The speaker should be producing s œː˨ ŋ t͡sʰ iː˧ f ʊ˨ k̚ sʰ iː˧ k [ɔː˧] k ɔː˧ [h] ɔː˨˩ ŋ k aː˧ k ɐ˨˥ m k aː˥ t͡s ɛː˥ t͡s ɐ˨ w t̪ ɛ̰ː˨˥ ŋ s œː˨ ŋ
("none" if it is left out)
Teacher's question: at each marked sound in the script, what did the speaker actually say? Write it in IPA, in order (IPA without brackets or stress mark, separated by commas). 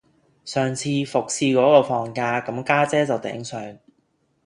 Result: ɔː˨˥, f